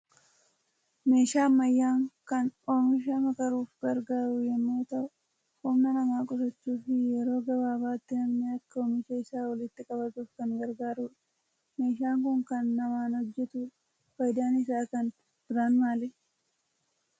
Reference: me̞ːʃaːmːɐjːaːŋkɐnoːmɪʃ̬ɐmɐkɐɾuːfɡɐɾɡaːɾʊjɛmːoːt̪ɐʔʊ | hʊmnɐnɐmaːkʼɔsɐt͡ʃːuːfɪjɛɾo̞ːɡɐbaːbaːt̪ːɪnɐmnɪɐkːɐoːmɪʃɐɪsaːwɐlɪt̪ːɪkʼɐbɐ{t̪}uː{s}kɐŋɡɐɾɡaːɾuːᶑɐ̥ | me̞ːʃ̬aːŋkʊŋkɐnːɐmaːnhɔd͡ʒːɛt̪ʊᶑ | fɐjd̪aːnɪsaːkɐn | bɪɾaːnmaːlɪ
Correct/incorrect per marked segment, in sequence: correct, incorrect: f

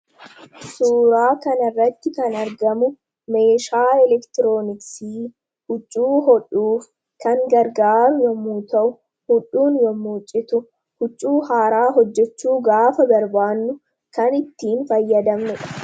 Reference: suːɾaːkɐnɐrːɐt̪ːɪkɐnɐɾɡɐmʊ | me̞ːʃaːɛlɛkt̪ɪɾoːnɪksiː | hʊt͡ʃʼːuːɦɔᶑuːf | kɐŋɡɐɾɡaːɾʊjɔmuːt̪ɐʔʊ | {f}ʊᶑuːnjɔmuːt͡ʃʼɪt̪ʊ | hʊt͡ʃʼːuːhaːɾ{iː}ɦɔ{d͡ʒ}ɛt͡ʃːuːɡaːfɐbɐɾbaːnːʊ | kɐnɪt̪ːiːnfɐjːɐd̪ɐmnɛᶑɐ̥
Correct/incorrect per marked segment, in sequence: incorrect: h, incorrect: aː, incorrect: d͡ʒː

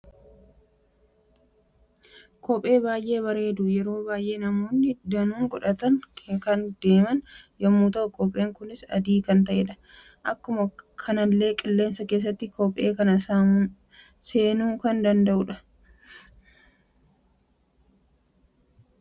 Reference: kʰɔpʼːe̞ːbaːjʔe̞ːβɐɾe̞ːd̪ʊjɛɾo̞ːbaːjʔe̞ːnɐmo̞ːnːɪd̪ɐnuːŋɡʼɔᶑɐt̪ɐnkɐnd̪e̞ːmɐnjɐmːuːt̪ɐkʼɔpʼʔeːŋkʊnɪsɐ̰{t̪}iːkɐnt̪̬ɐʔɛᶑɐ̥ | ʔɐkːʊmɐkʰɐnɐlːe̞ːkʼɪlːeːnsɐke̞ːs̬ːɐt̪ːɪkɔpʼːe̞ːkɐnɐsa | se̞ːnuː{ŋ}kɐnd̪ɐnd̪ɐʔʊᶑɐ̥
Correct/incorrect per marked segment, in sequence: incorrect: d̪, correct

